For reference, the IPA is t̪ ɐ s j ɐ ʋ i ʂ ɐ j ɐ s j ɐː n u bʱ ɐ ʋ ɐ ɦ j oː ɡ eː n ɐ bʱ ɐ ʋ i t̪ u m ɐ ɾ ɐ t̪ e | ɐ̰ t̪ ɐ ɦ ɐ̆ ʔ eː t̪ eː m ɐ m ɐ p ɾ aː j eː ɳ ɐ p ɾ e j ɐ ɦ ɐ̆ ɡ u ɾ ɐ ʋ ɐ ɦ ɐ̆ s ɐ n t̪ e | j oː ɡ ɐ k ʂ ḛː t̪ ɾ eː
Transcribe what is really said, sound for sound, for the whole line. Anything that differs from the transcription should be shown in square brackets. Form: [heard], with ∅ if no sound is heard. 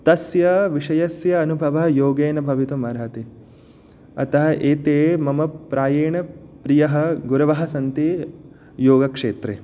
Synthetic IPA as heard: t̪ ɐ s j ɐ ʋ i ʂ ɐ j ɐ s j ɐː n u bʱ ɐ ʋ ɐ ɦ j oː ɡ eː n ɐ bʱ ɐ ʋ i t̪ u m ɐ ɾ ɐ t̪ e | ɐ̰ t̪ ɐ ɦ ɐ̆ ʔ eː t̪ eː m ɐ m ɐ p ɾ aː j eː ɳ ɐ p ɾ [i] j ɐ ɦ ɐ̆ ɡ u ɾ ɐ ʋ ɐ ɦ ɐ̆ s ɐ n t̪ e | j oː ɡ ɐ k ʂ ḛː t̪ ɾ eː